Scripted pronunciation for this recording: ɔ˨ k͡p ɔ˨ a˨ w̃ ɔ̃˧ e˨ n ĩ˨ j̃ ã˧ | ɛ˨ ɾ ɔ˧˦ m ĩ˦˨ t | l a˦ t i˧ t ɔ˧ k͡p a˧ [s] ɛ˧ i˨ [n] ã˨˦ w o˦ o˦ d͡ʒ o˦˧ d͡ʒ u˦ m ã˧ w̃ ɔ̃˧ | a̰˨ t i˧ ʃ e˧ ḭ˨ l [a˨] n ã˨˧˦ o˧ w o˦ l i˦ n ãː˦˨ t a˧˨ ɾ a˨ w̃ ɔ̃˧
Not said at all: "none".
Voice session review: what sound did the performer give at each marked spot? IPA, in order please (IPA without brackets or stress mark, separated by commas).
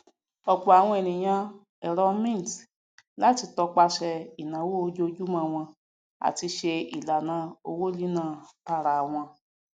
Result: ʃ, n, a˨